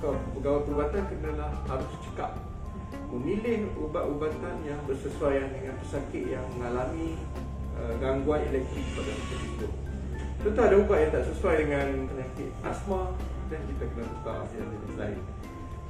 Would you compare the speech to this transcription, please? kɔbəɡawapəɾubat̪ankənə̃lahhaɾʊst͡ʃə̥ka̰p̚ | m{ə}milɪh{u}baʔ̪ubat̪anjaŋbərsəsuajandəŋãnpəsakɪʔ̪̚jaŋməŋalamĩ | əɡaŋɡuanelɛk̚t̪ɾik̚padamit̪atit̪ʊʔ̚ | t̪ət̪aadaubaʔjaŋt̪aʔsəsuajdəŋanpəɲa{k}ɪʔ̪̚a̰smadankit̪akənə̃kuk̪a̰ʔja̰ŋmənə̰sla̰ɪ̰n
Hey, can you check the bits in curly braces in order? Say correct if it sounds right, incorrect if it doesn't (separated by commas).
correct, correct, correct